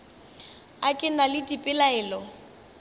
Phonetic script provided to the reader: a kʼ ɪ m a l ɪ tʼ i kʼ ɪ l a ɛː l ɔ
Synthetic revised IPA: a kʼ ɪ n a l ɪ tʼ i pʼ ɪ l a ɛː l ɔ